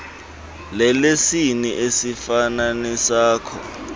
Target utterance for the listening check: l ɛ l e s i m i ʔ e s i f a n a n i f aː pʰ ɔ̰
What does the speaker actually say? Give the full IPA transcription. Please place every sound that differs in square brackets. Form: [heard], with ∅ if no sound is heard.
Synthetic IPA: l ɛ l e s i [n] i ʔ e s i f a n a n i [s] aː [kʰ] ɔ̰